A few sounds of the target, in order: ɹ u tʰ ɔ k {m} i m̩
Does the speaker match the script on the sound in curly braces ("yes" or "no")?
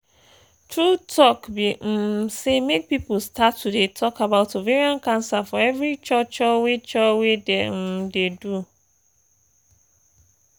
no